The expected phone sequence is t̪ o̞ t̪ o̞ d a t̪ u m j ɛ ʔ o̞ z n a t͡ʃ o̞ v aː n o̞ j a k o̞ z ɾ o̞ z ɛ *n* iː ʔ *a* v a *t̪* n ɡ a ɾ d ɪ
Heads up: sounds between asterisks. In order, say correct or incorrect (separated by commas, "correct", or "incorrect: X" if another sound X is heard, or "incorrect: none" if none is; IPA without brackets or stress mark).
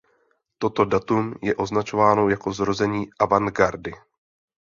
incorrect: ɲ, correct, incorrect: none